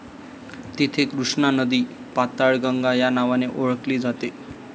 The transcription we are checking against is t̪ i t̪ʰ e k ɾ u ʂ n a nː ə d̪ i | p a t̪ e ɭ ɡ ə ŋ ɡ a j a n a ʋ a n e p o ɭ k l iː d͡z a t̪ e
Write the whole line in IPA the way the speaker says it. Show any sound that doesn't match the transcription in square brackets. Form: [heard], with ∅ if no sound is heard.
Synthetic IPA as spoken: t̪ i t̪ʰ e k ɾ u ʂ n a [n] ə d̪ i | p a t̪ [a] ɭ ɡ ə ŋ ɡ a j a n a ʋ a n e [ʔ] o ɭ k l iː d͡z a t̪ e